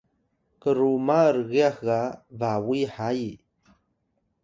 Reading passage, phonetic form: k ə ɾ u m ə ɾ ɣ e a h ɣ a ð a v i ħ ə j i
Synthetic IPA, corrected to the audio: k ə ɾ u m a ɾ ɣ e a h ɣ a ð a w i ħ a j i